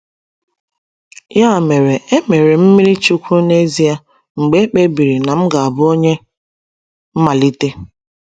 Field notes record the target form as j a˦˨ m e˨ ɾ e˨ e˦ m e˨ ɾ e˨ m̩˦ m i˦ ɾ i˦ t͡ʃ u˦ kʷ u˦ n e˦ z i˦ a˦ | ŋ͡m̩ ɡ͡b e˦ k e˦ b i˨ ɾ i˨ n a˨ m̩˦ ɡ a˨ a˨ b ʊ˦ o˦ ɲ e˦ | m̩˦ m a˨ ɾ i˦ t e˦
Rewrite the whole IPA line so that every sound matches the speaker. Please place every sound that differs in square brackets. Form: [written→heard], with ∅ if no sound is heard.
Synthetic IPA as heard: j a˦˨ m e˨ ɾ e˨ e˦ m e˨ ɾ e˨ m̩˦ m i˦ ɾ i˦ t͡ʃ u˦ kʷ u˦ n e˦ z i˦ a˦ | ŋ͡m̩ ɡ͡b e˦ [k→k͡p] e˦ b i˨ ɾ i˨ n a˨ m̩˦ ɡ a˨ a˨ b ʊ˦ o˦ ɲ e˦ | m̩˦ m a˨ [ɾ→l] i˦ t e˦